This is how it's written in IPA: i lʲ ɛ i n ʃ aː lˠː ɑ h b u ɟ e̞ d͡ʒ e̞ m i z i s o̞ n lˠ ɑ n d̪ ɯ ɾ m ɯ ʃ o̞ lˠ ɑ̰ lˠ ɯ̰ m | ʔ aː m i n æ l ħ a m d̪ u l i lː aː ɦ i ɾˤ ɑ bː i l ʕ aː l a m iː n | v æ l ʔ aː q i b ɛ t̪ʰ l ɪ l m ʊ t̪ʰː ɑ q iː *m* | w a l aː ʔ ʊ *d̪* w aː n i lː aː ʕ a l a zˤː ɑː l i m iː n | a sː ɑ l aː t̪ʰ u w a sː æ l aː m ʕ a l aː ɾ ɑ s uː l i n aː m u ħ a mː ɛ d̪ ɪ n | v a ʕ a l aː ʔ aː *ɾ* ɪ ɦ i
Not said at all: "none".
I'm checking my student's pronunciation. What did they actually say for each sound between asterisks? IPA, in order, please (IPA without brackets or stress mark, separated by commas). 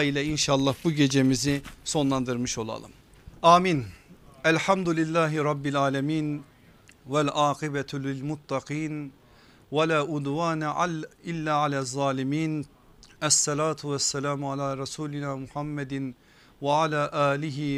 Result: n, d̪, l